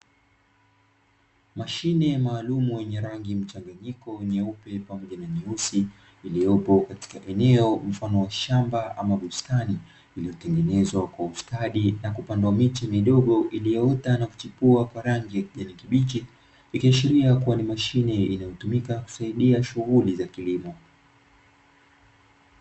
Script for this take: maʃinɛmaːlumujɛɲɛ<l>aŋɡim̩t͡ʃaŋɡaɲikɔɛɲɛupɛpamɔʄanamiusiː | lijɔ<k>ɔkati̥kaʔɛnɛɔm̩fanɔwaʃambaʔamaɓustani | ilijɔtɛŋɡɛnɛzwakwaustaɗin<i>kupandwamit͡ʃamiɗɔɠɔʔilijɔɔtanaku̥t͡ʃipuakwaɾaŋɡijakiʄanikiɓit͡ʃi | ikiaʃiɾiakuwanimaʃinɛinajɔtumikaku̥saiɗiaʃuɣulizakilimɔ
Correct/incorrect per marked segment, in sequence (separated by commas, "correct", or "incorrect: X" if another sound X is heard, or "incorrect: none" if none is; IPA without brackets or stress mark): incorrect: ɾ, incorrect: p, incorrect: a